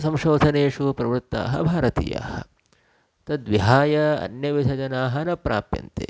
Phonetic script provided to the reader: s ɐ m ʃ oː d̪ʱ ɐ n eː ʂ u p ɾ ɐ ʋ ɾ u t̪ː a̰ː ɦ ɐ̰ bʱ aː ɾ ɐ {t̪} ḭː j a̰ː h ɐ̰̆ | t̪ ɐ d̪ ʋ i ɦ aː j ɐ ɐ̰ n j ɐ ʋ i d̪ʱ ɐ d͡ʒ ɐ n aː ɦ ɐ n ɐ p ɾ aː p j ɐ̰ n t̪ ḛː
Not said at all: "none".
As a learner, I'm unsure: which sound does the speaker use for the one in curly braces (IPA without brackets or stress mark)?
t̪